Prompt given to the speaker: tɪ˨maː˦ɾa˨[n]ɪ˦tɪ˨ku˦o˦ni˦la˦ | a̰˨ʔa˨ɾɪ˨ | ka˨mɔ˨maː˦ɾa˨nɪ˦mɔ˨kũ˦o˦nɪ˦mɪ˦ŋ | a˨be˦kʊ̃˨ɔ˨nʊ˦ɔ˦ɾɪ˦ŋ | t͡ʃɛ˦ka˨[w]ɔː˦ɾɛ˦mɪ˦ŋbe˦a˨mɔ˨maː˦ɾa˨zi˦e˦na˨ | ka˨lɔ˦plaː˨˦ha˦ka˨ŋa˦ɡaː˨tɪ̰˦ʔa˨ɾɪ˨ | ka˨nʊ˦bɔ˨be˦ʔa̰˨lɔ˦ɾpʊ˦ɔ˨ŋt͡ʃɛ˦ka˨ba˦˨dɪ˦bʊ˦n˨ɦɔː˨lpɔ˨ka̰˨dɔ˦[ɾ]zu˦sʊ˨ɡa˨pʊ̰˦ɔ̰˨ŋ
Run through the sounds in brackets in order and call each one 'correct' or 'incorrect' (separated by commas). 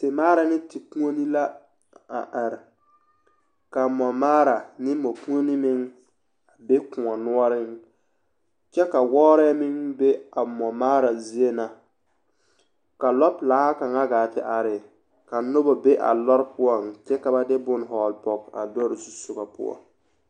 correct, correct, correct